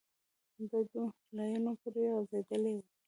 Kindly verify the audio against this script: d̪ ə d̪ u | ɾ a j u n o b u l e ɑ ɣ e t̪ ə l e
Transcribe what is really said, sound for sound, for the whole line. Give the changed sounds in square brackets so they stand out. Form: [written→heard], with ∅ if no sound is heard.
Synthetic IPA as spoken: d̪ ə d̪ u | [ɾ→l] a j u n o [b→p] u [l→ɾ] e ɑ [ɣ→z] e [t̪→d̪] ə l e